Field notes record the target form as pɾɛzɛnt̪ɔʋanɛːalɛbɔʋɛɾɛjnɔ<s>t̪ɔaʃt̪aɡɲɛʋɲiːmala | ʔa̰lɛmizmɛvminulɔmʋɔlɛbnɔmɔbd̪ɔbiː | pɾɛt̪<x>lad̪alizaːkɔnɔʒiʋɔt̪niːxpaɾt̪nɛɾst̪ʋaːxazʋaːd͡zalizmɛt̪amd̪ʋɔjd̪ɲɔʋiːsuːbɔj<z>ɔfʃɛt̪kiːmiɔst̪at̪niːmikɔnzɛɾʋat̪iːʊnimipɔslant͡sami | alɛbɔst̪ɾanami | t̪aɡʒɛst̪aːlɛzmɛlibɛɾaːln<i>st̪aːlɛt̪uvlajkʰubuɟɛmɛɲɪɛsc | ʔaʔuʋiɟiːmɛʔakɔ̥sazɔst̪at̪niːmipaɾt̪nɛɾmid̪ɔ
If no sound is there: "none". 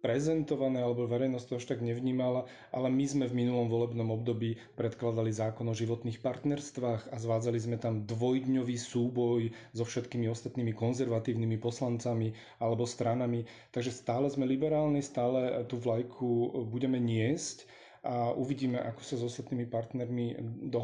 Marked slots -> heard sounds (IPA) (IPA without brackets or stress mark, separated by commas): s, k, z, i